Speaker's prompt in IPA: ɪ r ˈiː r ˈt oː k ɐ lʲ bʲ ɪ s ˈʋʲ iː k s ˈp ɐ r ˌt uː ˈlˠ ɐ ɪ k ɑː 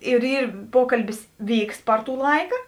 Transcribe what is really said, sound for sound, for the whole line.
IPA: ɪ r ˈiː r ˈp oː k ɐ lʲ bʲ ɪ s ˈʋʲ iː k s ˈp ɐ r ˌt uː ˈlˠ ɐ ɪ k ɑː